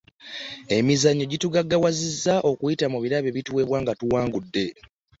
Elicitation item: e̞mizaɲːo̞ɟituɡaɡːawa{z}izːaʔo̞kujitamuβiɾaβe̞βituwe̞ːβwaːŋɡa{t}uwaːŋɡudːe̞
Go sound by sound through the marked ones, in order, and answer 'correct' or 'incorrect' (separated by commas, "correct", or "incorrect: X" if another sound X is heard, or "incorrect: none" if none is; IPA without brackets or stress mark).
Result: correct, correct